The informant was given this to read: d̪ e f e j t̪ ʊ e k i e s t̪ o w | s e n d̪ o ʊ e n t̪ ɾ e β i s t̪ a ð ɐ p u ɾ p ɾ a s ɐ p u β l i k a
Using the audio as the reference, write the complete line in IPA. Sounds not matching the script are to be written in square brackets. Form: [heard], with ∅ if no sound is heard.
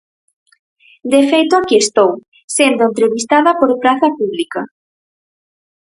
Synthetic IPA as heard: d̪ e f e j t̪ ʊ [a] k i e s t̪ o w | s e n d̪ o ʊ e n t̪ ɾ e β i s t̪ a ð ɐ p [o] ɾ p ɾ a [θ] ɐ p u β l i k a